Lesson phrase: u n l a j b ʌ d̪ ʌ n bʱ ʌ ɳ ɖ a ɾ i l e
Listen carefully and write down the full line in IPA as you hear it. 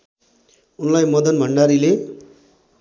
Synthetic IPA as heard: u n l a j m ʌ d̪ ʌ n bʱ ʌ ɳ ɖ a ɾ i l e